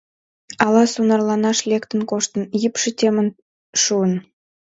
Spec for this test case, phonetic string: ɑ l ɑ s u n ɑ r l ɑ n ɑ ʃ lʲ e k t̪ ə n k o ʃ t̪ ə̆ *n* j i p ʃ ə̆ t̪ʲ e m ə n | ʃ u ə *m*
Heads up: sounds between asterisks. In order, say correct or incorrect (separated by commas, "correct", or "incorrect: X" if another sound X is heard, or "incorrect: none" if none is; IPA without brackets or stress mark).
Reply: correct, incorrect: n